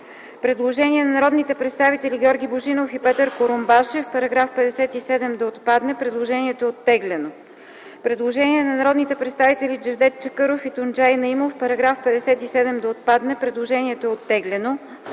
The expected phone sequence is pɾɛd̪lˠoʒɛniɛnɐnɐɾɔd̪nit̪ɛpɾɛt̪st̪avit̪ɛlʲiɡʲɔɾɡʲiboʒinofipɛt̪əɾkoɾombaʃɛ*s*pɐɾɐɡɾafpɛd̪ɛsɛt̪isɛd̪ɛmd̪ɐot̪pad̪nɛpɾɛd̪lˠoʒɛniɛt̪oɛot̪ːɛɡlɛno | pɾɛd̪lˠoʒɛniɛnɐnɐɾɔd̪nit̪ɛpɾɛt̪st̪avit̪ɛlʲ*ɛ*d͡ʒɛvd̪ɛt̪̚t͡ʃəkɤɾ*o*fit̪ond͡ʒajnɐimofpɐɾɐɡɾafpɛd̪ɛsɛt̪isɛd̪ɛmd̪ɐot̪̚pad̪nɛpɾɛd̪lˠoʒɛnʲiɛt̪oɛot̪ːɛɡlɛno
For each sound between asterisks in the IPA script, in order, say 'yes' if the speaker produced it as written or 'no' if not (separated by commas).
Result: no, no, yes